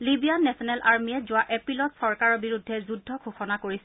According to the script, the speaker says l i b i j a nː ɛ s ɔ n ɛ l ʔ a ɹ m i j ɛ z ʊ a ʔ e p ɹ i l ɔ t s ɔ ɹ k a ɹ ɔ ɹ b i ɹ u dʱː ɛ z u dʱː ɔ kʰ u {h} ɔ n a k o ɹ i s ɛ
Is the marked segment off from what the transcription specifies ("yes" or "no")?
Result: yes